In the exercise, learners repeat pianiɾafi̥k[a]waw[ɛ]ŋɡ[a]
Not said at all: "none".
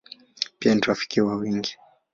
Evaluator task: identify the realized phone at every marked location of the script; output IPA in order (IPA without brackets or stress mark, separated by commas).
i, i, i